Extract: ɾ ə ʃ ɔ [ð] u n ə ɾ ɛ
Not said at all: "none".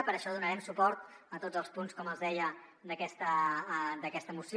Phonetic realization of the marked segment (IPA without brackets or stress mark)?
ð